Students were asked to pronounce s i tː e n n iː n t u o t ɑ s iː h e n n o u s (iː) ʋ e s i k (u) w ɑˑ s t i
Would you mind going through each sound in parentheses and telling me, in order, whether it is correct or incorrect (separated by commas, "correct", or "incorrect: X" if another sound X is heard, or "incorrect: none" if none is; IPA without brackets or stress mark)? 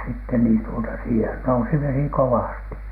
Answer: incorrect: i, incorrect: o